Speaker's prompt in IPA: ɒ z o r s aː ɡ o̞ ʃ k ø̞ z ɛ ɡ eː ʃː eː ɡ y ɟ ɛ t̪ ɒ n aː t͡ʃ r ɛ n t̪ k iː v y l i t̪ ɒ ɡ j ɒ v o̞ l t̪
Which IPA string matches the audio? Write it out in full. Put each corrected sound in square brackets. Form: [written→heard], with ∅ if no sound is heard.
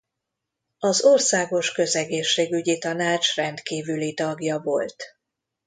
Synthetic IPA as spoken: ɒ z o r s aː ɡ o̞ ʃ k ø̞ z ɛ ɡ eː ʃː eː ɡ y ɟ [ɛ→i] t̪ ɒ n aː t͡ʃ r ɛ n t̪ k iː v y l i t̪ ɒ ɡ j ɒ v o̞ l t̪